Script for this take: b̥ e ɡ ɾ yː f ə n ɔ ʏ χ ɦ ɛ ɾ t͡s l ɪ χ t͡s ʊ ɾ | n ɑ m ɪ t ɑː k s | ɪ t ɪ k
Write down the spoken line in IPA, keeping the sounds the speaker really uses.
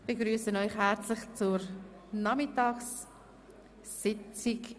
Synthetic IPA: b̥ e ɡ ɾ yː s ə n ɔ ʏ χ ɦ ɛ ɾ t͡s l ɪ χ t͡s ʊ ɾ | n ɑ m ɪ t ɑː k s | ɪ t͡s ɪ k